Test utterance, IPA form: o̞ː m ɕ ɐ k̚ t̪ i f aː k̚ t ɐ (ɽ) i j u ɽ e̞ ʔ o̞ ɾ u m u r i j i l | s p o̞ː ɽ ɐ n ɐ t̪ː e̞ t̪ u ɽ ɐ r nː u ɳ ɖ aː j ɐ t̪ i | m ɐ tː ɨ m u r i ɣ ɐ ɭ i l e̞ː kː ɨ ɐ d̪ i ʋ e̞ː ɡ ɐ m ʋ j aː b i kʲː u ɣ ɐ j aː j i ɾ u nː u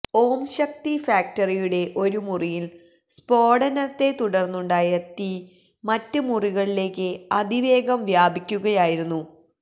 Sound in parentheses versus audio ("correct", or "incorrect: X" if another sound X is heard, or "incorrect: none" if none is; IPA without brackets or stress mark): incorrect: r